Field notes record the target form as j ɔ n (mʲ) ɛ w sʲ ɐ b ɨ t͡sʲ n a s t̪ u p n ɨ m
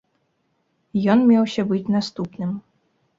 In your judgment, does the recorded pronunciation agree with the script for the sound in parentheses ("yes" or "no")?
yes